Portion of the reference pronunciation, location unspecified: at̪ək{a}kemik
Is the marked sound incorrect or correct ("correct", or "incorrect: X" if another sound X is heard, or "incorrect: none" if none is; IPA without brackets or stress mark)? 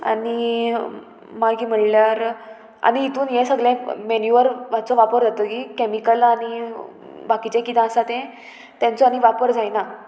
incorrect: i